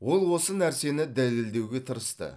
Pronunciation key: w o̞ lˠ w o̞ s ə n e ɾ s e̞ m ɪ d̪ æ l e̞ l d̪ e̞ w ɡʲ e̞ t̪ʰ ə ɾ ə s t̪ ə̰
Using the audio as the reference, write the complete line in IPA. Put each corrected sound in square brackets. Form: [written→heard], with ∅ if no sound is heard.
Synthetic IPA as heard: w o̞ lˠ w o̞ s ə n [e→æ] ɾ s e̞ [m→n] ɪ d̪ æ l e̞ l d̪ e̞ w ɡʲ e̞ t̪ʰ ə ɾ ə s t̪ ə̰